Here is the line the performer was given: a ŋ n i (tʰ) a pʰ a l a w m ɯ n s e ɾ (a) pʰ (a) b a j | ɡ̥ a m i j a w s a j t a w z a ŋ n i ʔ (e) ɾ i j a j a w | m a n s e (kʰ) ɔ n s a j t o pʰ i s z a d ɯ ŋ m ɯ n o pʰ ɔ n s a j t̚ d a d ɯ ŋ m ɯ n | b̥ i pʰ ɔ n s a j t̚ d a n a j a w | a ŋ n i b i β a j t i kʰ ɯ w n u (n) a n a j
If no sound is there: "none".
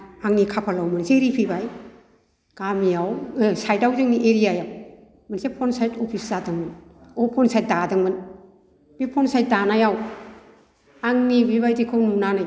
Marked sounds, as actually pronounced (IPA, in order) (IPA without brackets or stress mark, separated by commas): kʰ, i, i, e, pʰ, n